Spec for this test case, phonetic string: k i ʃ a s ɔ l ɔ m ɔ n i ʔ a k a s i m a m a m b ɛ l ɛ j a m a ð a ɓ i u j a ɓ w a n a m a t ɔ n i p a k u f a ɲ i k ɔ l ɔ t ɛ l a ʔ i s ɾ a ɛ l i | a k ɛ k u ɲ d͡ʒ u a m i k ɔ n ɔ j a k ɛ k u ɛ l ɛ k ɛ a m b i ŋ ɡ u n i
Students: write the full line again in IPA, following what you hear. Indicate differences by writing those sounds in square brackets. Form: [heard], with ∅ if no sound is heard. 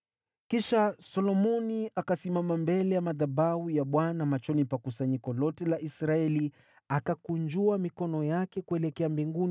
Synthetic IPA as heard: k i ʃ a s ɔ l ɔ m ɔ n i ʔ a k a s i m a m a m b ɛ l ɛ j a m a ð a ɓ [a] u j a ɓ w a n a m a [t͡ʃ] ɔ n i p a k u [s] a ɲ i k ɔ l ɔ t ɛ l a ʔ i s ɾ a ɛ l i | a k [a] k u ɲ d͡ʒ u a m i k ɔ n ɔ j a k ɛ k u ɛ l ɛ k ɛ a m b i ŋ ɡ u n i